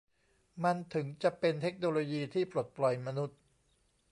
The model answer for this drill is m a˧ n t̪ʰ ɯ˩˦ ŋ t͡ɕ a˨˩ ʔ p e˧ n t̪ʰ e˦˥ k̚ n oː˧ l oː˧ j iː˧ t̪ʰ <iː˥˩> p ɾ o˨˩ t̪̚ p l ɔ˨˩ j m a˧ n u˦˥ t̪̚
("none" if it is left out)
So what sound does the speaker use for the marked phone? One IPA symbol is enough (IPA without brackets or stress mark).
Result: iː˥˩